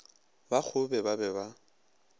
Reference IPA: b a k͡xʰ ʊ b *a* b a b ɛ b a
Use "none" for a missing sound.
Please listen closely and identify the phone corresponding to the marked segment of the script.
ɛ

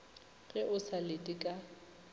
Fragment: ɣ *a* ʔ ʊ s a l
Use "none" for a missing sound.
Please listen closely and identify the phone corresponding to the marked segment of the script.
ɛ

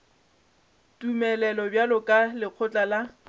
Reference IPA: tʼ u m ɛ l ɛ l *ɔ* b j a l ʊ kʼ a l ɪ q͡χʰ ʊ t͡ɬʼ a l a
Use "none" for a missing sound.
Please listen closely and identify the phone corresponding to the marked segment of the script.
ɔ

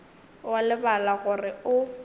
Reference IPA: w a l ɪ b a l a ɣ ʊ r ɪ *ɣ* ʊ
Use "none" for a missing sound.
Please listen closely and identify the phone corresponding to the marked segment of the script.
none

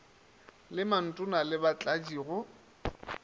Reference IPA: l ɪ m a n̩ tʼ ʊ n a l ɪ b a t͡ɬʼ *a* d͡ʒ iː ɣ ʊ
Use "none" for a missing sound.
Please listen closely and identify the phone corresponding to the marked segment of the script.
a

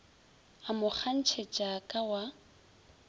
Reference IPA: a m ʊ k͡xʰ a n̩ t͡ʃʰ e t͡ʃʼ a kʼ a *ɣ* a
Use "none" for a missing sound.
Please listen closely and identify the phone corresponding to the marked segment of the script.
w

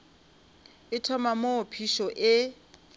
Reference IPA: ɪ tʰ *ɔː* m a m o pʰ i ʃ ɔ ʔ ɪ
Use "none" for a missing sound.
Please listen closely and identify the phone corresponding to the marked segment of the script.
ɔ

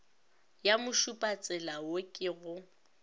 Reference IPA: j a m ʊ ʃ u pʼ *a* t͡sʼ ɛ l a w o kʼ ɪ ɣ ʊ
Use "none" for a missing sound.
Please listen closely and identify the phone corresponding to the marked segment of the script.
a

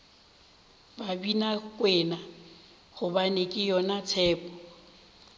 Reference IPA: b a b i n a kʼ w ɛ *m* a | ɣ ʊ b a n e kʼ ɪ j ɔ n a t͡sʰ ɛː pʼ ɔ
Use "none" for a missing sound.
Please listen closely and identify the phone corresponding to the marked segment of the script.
n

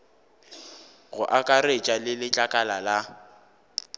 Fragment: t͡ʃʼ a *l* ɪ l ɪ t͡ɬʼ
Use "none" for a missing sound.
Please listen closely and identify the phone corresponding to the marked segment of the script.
l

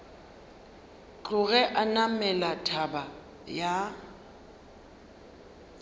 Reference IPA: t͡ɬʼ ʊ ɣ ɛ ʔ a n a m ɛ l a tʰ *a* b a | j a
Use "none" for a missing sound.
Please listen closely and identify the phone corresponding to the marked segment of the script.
a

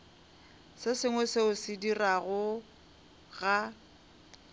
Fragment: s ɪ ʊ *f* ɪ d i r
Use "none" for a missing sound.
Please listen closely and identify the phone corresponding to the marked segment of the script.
s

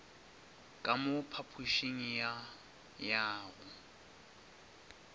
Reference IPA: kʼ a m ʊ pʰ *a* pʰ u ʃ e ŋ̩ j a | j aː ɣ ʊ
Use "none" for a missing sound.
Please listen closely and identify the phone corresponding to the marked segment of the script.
a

